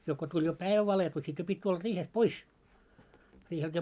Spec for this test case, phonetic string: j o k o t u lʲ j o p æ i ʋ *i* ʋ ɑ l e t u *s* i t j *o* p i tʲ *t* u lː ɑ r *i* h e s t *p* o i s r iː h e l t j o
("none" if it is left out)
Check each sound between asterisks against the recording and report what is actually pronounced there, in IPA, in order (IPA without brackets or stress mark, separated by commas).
æ, s, o, t, iː, p